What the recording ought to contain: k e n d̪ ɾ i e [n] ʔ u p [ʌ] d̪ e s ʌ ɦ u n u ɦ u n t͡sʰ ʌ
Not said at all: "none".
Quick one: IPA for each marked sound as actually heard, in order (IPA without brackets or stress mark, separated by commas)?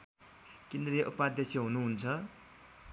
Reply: none, a